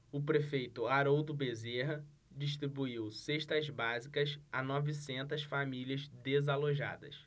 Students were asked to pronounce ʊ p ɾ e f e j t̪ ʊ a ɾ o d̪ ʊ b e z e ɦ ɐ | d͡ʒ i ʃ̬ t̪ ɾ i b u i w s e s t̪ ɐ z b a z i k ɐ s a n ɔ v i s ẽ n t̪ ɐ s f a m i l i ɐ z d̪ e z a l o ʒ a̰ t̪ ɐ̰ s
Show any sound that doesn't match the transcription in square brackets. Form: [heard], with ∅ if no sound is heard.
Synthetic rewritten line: ʊ p ɾ e f e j t̪ ʊ a ɾ o d̪ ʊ b e z e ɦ ɐ | d͡ʒ i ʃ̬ t̪ ɾ i b u i w s e [ʃ] t̪ ɐ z b a z i k ɐ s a n ɔ v i s ẽ n t̪ ɐ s f a m i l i ɐ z d̪ e z a l o ʒ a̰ [d̪] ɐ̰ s